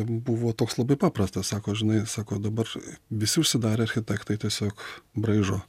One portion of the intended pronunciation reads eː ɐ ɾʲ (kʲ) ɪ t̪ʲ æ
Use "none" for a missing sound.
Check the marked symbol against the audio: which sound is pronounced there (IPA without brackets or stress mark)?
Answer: xʲ